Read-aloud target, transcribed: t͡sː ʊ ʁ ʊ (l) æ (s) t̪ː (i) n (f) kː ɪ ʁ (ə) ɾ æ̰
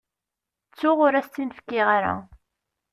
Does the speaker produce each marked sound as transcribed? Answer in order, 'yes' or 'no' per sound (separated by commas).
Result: no, yes, yes, yes, no